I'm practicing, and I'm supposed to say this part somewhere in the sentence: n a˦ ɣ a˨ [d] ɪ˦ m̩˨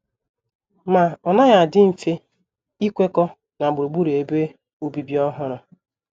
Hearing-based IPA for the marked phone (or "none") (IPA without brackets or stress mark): d